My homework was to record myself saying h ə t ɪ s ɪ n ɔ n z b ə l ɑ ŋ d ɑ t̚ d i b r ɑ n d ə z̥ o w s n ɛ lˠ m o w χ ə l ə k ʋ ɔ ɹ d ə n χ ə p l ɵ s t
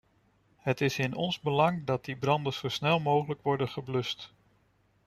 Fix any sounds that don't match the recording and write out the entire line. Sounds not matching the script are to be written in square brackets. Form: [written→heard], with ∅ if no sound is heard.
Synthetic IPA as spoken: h ə t ɪ s ɪ n ɔ n z b ə l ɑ ŋ d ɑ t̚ d i b r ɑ n d ə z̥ o w s n ɛ lˠ m o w χ ə l ə k ʋ ɔ ɹ d ə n χ ə [p→b] l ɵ s t